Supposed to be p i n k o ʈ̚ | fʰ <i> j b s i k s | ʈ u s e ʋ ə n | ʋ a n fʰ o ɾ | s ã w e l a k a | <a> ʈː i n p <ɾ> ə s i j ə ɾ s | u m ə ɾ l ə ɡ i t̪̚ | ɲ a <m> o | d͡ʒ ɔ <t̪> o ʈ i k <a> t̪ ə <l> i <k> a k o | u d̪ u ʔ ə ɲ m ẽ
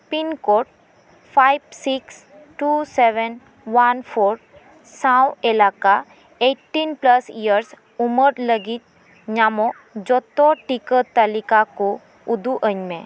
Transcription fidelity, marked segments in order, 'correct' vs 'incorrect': incorrect: a, incorrect: e, incorrect: l, correct, correct, incorrect: ə, correct, correct

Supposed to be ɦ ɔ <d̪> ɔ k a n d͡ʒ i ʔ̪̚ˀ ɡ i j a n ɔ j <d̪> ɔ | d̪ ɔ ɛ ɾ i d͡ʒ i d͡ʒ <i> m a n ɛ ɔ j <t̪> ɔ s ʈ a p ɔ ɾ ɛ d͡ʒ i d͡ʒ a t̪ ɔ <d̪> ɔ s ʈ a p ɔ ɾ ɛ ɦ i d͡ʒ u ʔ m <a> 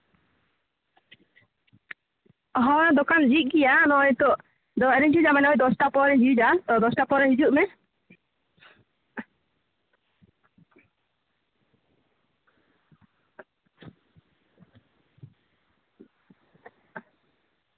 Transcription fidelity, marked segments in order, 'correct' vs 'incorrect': correct, incorrect: t̪, incorrect: a, incorrect: d̪, correct, incorrect: ɛ

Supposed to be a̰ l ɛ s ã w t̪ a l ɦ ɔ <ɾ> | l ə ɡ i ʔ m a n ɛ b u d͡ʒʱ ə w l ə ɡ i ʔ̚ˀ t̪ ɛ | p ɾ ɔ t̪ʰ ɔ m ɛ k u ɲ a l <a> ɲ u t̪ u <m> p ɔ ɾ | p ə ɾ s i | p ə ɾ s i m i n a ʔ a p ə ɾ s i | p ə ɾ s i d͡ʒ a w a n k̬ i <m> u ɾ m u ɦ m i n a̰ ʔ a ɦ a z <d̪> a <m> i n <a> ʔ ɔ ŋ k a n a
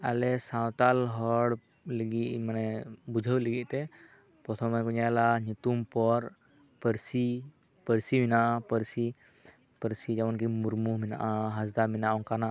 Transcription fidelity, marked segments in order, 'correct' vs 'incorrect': incorrect: ɽ, correct, correct, correct, correct, correct, correct

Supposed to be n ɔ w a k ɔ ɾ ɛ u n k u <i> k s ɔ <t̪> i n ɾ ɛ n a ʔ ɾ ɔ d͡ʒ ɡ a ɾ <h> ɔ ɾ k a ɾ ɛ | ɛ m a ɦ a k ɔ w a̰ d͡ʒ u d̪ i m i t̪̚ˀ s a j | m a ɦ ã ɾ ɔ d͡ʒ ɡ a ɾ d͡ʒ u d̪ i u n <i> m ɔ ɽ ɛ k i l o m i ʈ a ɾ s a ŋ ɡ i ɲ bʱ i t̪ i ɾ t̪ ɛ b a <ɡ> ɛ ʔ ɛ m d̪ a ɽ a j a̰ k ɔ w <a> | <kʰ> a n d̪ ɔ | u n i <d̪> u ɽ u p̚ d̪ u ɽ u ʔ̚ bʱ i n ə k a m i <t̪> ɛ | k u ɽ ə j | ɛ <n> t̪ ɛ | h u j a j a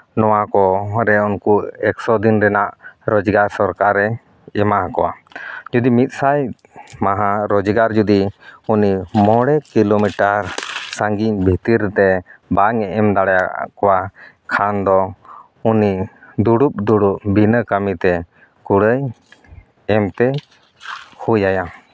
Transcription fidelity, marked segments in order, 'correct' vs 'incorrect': incorrect: ɛ, incorrect: d̪, incorrect: s, correct, incorrect: ŋ, correct, correct, correct, correct, incorrect: m

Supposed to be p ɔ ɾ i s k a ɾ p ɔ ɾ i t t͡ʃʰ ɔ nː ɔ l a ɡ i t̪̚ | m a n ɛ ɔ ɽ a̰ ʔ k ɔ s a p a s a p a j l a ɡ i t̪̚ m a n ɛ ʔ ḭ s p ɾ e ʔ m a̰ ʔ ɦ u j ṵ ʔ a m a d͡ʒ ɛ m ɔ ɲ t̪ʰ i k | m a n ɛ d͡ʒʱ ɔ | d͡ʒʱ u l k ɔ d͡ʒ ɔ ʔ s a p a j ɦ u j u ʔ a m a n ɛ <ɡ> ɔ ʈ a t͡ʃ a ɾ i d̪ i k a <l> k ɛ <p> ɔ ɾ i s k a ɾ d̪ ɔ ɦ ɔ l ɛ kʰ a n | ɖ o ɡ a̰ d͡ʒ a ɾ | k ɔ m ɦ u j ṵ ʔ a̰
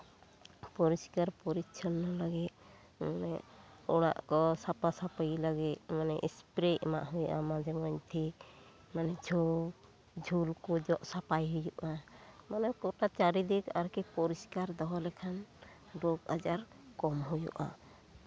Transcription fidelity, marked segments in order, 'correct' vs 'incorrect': incorrect: k, incorrect: ɾ, correct

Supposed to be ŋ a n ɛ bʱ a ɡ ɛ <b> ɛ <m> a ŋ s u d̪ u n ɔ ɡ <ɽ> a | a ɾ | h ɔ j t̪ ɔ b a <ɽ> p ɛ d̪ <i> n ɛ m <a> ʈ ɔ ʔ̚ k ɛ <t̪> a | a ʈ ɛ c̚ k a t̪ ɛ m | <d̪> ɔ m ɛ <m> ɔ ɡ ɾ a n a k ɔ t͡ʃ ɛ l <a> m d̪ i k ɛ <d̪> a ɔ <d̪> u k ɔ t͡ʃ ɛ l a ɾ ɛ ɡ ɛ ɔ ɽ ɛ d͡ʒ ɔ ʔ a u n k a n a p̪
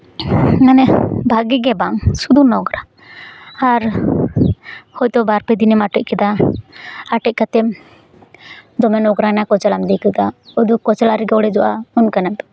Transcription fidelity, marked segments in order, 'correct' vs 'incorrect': incorrect: ɡ, incorrect: b, incorrect: ɾ, incorrect: ɾ, correct, correct, incorrect: d̪, correct, incorrect: n, correct, correct, correct

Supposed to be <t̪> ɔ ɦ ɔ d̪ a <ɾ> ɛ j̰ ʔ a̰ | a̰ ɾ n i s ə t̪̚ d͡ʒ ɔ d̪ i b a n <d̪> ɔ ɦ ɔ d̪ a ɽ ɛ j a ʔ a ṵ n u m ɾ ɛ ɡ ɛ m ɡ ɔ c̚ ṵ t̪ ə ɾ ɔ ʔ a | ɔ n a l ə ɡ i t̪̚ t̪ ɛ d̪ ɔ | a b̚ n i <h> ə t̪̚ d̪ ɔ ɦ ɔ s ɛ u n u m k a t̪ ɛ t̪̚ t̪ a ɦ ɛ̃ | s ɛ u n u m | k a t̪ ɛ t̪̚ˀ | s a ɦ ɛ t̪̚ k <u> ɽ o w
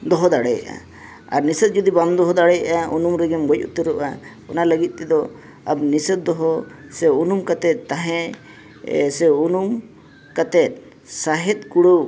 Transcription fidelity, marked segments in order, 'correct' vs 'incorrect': incorrect: d̪, incorrect: ɽ, correct, incorrect: s, correct

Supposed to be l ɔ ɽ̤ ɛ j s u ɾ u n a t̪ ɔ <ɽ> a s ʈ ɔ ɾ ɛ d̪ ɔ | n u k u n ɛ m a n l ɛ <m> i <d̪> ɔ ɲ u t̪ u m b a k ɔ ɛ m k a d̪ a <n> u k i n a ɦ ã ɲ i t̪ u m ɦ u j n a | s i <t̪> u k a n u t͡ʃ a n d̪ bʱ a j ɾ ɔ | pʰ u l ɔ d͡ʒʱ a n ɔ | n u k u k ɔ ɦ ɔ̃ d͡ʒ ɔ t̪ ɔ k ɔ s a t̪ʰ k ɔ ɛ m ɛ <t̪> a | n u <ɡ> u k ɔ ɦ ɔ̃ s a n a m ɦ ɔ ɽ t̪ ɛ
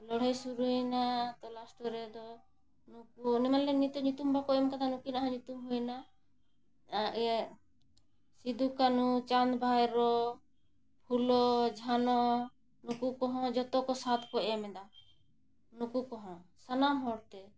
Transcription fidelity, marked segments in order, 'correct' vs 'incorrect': incorrect: l, incorrect: n, incorrect: t̪, correct, incorrect: d̪, incorrect: d̪, incorrect: k

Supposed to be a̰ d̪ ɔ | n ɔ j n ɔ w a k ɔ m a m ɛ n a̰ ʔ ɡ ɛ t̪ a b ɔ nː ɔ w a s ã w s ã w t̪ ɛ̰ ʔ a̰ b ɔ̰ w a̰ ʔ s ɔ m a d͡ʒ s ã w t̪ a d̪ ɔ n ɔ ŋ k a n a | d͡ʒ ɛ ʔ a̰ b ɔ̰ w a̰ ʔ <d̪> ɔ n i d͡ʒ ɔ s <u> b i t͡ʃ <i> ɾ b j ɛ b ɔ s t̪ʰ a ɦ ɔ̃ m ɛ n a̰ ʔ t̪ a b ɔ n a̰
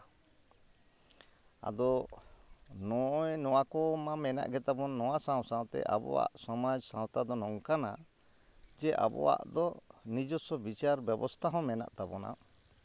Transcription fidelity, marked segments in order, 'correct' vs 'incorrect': correct, incorrect: ɔ, incorrect: a

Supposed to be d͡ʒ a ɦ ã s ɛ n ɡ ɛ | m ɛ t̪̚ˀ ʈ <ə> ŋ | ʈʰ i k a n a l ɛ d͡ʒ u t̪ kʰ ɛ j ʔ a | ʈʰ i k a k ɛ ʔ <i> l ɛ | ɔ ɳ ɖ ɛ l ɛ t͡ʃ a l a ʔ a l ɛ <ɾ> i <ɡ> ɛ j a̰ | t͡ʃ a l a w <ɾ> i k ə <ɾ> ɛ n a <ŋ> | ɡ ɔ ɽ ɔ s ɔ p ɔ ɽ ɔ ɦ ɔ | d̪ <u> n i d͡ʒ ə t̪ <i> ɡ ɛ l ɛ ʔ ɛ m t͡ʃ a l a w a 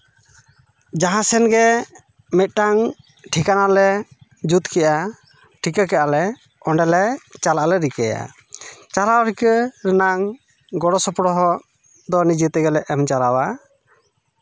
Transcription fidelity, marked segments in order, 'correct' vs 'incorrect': incorrect: a, incorrect: a, correct, incorrect: k, correct, correct, correct, incorrect: ɔ, incorrect: ɛ

